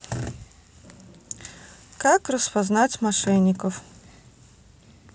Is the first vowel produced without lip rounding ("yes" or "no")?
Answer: yes